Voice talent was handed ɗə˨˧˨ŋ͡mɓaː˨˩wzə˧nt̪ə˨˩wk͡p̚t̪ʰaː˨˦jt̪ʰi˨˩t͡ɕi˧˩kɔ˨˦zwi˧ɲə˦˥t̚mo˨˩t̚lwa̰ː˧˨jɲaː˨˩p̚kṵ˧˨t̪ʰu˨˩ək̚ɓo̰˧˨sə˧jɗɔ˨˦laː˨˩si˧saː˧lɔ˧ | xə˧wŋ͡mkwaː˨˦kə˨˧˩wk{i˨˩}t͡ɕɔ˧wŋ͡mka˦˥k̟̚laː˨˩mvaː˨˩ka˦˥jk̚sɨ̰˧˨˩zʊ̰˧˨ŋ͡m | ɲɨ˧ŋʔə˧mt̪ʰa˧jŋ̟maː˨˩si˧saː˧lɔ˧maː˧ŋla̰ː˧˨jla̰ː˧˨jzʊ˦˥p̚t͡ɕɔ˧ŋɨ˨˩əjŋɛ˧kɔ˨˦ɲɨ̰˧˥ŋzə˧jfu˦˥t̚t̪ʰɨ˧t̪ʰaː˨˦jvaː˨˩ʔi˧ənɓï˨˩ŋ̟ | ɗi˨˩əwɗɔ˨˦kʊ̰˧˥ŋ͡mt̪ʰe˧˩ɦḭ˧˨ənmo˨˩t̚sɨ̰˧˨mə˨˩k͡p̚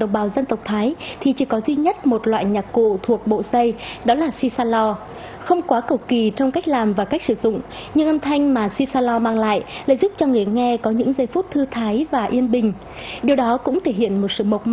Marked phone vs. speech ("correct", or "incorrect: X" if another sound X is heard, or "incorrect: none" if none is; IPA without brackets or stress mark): correct